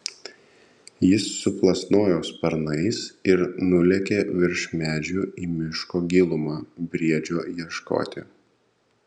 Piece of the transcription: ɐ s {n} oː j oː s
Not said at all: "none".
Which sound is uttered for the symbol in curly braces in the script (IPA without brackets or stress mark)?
n